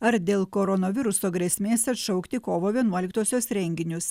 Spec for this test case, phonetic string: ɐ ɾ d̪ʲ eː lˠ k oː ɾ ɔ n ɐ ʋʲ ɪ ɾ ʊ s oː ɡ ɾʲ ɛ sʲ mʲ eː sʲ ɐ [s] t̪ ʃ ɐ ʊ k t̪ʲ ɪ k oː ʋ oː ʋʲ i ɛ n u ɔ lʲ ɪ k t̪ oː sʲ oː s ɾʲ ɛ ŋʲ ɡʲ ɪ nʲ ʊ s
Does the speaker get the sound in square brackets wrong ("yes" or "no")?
yes